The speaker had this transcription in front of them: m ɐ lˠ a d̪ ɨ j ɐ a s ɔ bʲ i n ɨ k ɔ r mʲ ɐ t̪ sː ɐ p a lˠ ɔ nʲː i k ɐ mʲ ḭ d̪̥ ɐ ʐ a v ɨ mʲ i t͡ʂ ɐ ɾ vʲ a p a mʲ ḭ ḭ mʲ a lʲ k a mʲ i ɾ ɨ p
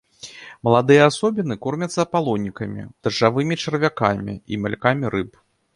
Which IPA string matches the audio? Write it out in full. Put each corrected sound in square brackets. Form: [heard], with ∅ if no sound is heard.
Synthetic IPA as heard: m ɐ lˠ a d̪ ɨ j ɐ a s ɔ bʲ i n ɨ k ɔ r mʲ ɐ t̪ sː ɐ p a lˠ ɔ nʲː i k ɐ mʲ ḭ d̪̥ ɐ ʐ a v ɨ mʲ i t͡ʂ ɐ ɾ vʲ a [k] a mʲ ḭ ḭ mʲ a lʲ k a mʲ i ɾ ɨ p